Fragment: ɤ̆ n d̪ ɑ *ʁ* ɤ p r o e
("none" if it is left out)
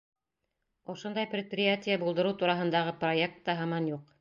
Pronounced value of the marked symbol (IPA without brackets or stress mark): ʁ